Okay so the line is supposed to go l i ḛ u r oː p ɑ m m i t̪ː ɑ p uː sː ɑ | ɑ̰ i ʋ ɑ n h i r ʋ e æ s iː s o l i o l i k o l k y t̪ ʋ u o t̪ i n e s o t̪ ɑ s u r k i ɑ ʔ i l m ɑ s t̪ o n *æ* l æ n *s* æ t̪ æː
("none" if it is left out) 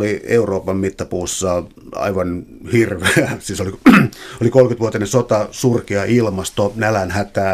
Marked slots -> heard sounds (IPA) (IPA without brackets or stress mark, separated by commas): æ, h